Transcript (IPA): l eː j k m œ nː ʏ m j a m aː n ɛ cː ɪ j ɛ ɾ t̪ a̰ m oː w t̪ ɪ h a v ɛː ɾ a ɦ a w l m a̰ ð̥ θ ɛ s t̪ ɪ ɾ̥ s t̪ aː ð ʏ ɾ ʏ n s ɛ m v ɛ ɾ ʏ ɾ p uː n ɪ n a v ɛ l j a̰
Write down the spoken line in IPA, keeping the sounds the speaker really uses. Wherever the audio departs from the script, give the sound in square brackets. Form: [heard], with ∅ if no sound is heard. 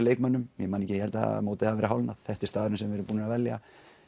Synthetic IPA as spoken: l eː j k m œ nː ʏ m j [ɛ] m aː n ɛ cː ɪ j ɛ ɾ t̪ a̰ m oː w t̪ ɪ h a v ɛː ɾ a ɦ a w l [n] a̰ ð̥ θ ɛ [h] t̪ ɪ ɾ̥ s t̪ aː ð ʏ ɾ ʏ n s ɛ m v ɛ ɾ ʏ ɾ p uː n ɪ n a v ɛ l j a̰